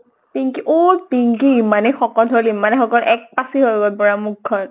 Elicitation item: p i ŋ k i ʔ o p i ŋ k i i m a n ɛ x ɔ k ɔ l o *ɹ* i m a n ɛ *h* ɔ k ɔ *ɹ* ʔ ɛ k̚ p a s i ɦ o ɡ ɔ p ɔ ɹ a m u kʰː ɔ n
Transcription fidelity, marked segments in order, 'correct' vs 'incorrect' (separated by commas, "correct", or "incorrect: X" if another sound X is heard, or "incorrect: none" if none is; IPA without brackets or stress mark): incorrect: l, incorrect: x, incorrect: l